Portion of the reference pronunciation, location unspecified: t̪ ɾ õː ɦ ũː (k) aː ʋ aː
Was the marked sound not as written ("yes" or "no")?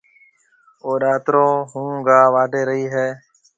yes